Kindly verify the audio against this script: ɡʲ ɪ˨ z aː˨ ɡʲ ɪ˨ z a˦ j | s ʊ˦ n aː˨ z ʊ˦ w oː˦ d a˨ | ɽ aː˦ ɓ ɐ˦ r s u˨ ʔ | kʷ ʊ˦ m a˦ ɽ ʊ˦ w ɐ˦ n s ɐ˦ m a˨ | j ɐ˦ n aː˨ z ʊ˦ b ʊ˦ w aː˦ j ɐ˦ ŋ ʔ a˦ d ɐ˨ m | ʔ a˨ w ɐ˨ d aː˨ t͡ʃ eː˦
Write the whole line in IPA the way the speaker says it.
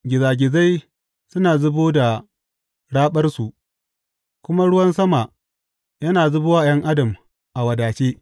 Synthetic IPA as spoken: ɡʲ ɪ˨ z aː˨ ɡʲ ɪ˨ z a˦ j | s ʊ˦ n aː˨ z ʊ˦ b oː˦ d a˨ | ɽ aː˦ ɓ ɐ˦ r s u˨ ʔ | kʷ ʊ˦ m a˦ ɽ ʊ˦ w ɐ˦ n s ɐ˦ m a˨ | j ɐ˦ n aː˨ z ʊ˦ b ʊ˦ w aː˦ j ɐ˦ ŋ ʔ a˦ d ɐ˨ m | ʔ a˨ w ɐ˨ d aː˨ t͡ʃ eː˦